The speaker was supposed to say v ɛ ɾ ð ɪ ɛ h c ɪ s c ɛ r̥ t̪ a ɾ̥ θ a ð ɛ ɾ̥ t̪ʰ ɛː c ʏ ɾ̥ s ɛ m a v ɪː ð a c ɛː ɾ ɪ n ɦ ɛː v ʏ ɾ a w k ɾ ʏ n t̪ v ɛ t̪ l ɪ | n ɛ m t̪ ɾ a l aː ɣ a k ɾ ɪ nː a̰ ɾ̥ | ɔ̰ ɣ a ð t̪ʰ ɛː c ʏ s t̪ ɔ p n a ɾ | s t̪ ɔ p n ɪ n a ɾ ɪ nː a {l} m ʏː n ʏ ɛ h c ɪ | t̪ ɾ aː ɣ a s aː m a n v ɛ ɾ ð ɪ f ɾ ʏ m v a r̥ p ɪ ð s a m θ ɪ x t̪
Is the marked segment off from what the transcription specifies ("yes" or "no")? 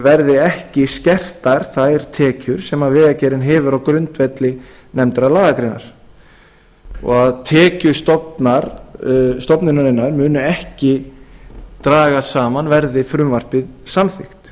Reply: yes